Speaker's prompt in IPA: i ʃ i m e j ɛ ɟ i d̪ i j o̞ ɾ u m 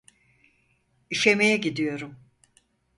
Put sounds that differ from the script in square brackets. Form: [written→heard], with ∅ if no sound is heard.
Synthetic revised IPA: i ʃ [i→e] m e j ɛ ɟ i d̪ i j o̞ ɾ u m